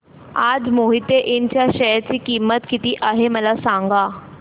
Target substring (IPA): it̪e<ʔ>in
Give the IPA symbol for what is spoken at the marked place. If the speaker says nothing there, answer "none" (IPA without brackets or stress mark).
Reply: ʔ